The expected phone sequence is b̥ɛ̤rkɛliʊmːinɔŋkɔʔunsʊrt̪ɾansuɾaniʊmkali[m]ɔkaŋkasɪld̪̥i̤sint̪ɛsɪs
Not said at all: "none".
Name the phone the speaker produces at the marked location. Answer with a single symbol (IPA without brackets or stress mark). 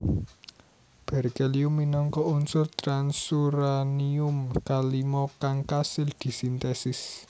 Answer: m